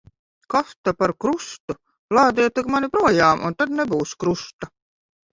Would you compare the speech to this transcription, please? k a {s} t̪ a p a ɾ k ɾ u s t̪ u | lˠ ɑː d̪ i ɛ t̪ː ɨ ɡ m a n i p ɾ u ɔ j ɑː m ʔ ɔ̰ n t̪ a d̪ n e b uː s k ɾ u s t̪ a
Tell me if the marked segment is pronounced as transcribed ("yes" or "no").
no